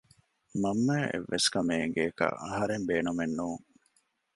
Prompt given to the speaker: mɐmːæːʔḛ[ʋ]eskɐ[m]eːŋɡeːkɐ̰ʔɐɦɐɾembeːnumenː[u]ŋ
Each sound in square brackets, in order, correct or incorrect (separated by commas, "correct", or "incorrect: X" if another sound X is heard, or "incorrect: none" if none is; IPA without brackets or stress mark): incorrect: ʋː, correct, incorrect: uː